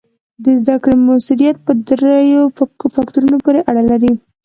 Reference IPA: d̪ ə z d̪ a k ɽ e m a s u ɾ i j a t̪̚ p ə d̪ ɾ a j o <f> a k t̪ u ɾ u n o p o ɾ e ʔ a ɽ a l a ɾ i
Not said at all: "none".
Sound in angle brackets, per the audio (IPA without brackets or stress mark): f